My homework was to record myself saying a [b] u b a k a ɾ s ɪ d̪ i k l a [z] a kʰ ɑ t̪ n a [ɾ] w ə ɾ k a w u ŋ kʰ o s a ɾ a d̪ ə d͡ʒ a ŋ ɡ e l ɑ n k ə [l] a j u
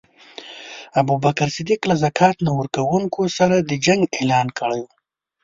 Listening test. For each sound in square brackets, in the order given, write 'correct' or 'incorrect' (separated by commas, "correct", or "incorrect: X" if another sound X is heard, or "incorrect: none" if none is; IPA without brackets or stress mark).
correct, correct, incorrect: none, incorrect: ɽ